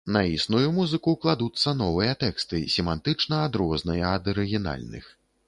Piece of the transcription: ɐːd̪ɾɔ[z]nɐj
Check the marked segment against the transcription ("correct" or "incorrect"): correct